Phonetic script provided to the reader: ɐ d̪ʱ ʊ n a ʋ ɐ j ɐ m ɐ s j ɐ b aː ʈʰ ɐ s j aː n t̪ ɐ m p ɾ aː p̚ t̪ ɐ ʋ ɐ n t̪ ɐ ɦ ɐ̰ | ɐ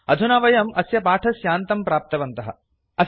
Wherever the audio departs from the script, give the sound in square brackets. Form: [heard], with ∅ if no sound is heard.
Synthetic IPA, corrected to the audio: ɐ d̪ʱ [u] n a ʋ ɐ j ɐ m ɐ s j ɐ [p] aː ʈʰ ɐ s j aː n t̪ ɐ m p ɾ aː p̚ t̪ ɐ ʋ ɐ n t̪ ɐ ɦ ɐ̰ | ɐ